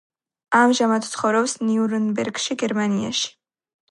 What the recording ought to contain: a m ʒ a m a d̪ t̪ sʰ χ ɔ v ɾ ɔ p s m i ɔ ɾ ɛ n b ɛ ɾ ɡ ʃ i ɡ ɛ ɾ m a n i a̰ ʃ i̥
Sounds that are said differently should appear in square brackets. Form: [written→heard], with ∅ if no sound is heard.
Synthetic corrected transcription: a m ʒ a m a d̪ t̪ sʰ χ ɔ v ɾ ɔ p s [m→n] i [ɔ→u] ɾ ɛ n b ɛ ɾ ɡ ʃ i ɡ ɛ ɾ m a n i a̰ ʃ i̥